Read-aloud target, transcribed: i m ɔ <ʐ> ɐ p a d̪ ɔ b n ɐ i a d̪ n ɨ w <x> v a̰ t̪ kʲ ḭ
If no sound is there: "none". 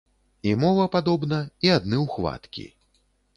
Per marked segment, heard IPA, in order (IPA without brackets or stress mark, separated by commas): v, x